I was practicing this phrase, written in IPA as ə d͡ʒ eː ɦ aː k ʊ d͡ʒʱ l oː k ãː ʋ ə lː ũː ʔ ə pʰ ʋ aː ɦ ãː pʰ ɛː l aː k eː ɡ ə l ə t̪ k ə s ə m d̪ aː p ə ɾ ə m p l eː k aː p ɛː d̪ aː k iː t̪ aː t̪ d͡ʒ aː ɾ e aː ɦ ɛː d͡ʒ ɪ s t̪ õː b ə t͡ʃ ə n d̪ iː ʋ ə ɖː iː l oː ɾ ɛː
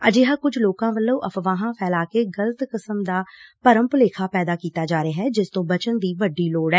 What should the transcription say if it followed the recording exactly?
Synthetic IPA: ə d͡ʒ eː ɦ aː k ʊ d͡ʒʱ l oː k ãː ʋ ə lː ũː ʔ ə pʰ ʋ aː ɦ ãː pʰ ɛː l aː k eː ɡ ə l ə t̪ k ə s ə m d̪ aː p ə ɾ ə m p l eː kʰ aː p ɛː d̪ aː k iː t̪ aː d͡ʒ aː ɾ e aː ɦ ɛː d͡ʒ ɪ s t̪ õː b ə t͡ʃ ə n d̪ iː ʋ ə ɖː iː l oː ɽ ɛː

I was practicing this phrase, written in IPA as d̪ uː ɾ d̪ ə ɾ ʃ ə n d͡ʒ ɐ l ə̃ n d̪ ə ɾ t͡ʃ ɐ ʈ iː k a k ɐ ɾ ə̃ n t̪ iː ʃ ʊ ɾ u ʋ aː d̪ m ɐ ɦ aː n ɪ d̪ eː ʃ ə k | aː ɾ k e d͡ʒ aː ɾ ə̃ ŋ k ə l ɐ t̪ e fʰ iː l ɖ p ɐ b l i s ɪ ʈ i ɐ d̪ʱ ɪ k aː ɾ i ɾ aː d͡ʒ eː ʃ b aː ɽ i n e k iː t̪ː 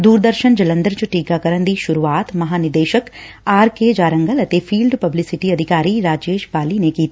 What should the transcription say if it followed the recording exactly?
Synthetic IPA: d̪ uː ɾ d̪ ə ɾ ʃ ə n d͡ʒ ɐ l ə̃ n d̪ ə ɾ t͡ʃ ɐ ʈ iː k a k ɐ ɾ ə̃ n d̪ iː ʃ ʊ ɾ u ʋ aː t̪ m ɐ ɦ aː n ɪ d̪ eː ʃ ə k | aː ɾ k e d͡ʒ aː ɾ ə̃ ŋ ɡ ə l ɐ t̪ e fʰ iː l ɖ p ɐ b l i s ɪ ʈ i ɐ d̪ʱ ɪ k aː ɾ i ɾ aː d͡ʒ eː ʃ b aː l i n e k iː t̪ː

